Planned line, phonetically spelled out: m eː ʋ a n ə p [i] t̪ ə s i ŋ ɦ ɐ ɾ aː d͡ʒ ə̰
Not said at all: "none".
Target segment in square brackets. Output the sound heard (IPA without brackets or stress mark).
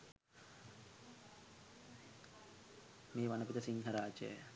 i